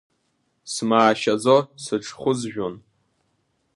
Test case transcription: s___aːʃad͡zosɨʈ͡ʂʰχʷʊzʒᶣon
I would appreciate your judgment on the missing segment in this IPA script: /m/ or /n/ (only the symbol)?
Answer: m